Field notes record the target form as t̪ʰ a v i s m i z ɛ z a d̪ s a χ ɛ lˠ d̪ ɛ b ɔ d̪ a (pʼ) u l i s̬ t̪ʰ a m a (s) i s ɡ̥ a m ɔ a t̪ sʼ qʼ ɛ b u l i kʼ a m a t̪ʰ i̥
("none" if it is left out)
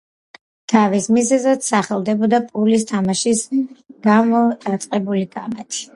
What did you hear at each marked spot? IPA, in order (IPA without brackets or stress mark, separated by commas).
pʼ, ʃ